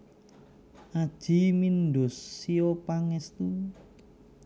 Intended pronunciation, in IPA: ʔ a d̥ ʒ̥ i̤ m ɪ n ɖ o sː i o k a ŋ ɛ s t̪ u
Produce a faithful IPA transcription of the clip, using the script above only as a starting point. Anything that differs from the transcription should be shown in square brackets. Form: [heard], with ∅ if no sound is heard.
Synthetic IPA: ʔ a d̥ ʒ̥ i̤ m [i] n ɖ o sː i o [p] a ŋ ɛ s t̪ u